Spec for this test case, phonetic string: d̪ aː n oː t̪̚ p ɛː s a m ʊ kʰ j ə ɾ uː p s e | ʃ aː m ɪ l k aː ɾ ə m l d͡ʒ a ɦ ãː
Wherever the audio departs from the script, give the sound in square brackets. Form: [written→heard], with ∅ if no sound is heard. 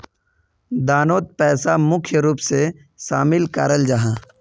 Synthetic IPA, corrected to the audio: d̪ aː n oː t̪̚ p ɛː s a m ʊ kʰ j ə ɾ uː p s e | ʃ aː m ɪ l k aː ɾ ə [m→∅] l d͡ʒ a ɦ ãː